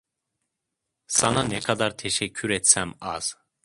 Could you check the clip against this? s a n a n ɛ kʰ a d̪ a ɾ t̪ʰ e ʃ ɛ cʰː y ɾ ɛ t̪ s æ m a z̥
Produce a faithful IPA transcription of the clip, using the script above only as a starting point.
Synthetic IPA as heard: s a n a n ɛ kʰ a d̪ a ɾ t̪ʰ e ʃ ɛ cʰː y ɾ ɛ t̪ s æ m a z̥